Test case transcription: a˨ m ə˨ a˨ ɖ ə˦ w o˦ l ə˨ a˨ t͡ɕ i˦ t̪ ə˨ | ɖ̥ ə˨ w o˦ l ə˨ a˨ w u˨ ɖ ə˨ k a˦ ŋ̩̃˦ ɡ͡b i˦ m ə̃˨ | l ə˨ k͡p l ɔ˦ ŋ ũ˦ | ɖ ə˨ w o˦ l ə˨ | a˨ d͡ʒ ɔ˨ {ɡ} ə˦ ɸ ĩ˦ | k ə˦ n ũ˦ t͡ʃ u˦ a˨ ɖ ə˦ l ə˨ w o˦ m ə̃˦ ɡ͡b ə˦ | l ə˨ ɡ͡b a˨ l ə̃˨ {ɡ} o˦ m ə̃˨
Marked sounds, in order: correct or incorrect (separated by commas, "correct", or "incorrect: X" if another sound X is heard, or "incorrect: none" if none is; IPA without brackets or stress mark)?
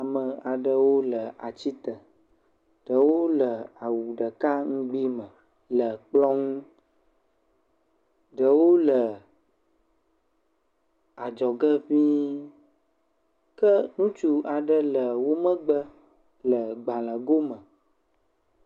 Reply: correct, correct